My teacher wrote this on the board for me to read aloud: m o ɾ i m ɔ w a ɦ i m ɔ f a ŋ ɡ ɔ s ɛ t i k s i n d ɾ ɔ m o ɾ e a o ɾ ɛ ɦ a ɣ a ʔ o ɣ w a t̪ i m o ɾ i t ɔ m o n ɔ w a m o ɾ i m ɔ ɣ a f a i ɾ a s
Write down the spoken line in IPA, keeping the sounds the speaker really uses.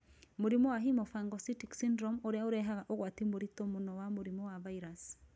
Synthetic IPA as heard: m o ɾ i m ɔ w a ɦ i m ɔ f a ŋ ɡ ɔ s i t i k s i n d ɾ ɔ m o ɾ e a o ɾ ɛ ɦ a ɣ a ʔ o ɣ w a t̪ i m o ɾ i t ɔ m o n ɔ w a m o ɾ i m ɔ w a v a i ɾ a s